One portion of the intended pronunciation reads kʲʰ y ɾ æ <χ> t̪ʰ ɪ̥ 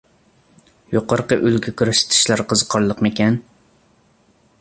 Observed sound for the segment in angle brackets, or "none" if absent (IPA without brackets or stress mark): ʃ